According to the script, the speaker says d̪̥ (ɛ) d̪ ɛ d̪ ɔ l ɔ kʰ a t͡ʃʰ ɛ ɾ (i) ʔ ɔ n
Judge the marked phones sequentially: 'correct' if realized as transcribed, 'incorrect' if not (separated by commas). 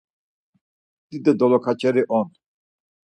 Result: incorrect, correct